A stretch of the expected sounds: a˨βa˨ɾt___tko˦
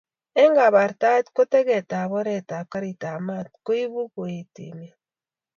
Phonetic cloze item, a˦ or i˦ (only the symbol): a˦